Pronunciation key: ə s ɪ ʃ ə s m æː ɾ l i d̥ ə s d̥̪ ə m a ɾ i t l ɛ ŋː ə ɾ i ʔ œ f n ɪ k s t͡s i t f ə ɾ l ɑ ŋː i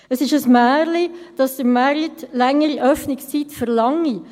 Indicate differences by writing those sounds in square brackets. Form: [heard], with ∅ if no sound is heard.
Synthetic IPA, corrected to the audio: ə s ɪ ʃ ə s m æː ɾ l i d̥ [ɑ] s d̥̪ ə m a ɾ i t l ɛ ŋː ə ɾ i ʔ œ f n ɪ k s t͡s i t f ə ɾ l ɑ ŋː i

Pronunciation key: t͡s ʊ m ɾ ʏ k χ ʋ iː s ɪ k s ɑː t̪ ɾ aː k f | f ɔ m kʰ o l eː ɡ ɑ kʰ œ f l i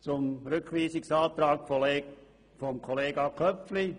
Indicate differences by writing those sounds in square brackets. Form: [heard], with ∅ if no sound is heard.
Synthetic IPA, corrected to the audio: t͡s ʊ m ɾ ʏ k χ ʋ iː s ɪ k s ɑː t̪ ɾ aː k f | f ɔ m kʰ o l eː ɡ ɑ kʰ œ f l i

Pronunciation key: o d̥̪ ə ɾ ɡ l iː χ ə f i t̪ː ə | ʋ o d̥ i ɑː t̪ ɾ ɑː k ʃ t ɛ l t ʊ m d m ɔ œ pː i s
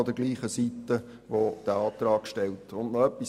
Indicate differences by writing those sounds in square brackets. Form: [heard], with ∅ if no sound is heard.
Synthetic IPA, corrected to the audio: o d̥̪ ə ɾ ɡ l iː χ ə [s] i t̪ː ə | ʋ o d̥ [æ] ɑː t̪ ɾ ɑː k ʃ t ɛ l t ʊ [n] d [n] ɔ œ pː i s

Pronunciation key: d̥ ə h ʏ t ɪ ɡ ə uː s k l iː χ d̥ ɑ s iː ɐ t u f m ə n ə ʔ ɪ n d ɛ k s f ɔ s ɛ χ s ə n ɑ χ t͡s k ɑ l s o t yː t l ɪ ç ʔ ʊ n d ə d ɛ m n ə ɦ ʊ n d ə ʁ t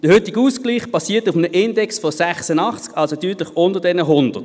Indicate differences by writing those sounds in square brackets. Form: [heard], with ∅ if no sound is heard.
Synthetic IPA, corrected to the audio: d̥ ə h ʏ t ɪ ɡ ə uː s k l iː χ [b̥] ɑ s iː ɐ t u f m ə n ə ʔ ɪ n d ɛ k s f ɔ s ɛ χ s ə n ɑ χ t͡s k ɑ l s o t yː t l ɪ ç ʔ ʊ n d ə d ɛ [∅] n ə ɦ ʊ n d ə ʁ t

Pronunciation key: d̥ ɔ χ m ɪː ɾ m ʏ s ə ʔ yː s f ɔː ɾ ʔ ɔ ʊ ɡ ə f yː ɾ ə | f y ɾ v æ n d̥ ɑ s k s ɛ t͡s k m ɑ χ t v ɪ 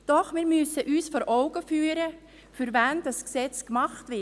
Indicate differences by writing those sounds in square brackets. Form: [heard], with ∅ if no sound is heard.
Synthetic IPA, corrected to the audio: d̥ ɔ χ m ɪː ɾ m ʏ s ə ʔ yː s f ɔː ɾ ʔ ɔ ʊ ɡ ə f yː ɾ ə | f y ɾ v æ n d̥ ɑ s k s ɛ t͡s k m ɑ χ t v ɪ

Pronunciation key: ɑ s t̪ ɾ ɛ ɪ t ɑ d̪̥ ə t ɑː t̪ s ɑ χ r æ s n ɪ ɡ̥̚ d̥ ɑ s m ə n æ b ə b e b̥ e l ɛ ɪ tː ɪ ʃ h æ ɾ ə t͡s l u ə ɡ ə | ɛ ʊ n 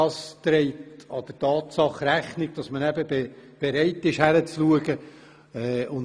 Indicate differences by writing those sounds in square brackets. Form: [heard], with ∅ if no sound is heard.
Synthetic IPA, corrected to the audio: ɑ s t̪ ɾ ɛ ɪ t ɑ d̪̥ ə t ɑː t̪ s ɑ χ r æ [χ] n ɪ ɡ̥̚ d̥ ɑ s m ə n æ b ə b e b̥ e [ɾ] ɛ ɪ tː ɪ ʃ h æ ɾ ə t͡s l u ə ɡ ə | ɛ ʊ n

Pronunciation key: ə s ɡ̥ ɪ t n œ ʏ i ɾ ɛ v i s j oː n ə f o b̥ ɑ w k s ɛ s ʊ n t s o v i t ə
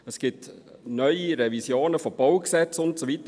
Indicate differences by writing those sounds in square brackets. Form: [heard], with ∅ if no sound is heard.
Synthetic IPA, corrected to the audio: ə s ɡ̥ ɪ t n œ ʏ i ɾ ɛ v i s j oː n ə f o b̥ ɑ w k s ɛ [t͡s] ʊ n t s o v i t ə

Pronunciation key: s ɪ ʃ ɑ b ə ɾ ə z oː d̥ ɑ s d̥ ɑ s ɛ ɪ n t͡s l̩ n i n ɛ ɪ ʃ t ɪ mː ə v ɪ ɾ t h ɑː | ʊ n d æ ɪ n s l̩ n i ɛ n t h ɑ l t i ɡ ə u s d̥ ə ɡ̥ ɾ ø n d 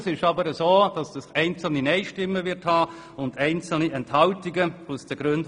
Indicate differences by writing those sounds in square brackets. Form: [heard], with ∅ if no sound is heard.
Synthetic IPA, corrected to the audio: s ɪ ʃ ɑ b ə ɾ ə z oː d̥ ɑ s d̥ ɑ s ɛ ɪ n t͡s l̩ n i n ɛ ɪ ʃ t ɪ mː ə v ɪ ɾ t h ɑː | ʊ n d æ ɪ n [t͡s] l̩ n i ɛ n t h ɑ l t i ɡ ə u s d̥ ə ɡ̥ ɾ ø n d

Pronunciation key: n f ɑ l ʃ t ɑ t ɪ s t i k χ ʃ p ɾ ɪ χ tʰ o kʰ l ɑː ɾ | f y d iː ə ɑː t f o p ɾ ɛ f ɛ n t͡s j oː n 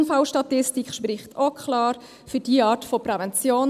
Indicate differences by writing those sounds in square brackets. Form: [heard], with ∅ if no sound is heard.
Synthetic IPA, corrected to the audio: n f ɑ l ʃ t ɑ t ɪ s t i k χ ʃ p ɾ ɪ χ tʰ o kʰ l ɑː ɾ | f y d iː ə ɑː t f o p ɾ ɛ [v] ɛ n t͡s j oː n

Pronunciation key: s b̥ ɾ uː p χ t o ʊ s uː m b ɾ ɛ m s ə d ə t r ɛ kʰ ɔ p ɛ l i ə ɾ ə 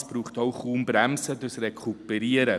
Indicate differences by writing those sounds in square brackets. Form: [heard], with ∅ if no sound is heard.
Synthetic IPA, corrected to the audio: s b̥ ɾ uː [∅] χ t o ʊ [χ] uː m b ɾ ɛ m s ə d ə [s] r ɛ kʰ [u] p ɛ [ɾ] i ə ɾ ə

